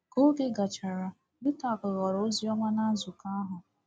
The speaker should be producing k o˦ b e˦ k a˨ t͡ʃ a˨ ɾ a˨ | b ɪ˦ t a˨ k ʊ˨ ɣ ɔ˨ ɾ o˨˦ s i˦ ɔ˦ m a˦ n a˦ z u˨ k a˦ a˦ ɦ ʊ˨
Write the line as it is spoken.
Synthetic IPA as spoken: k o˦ ɡ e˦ ɡ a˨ t͡ʃ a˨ ɾ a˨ | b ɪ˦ t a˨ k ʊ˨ ɣ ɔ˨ ɾ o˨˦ z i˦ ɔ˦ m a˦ n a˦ z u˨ k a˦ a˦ ɦ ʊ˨